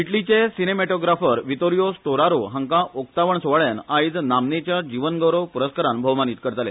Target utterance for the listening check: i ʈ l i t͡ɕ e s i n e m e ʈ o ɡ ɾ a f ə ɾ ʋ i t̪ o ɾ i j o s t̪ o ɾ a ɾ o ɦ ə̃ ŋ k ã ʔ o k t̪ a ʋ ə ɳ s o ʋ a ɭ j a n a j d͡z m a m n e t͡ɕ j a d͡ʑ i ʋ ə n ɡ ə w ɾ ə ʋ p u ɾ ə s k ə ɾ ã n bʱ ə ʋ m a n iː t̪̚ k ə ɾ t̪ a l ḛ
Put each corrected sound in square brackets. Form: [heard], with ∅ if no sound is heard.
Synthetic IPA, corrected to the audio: i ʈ l i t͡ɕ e s i n e m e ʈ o ɡ ɾ a f ə ɾ ʋ i t̪ o ɾ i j o s t̪ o ɾ a ɾ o ɦ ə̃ ŋ k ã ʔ o k t̪ a ʋ ə ɳ s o ʋ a ɭ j a n a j d͡z [n] a m n e t͡ɕ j a d͡ʑ i ʋ ə n ɡ ə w ɾ ə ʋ p u ɾ ə s k ə ɾ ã n bʱ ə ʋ m a n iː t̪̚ k ə ɾ t̪ a l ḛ